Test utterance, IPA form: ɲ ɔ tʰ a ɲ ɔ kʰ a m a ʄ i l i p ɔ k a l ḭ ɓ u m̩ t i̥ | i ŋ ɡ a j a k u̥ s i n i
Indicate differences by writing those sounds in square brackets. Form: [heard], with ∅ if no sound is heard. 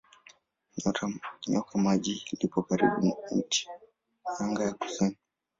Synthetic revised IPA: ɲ ɔ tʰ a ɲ ɔ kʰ a m a ʄ i l i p ɔ k a [ɾ] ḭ ɓ u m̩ t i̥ | [a] ŋ ɡ a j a k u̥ s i n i